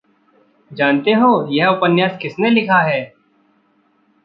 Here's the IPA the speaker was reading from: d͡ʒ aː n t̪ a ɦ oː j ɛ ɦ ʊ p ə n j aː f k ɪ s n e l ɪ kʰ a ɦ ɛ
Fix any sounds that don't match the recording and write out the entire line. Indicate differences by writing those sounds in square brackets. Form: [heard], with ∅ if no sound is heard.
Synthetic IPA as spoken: d͡ʒ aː n t̪ [e] ɦ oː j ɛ ɦ ʊ p ə n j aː [s] k ɪ s n e l ɪ kʰ a ɦ [ɛː]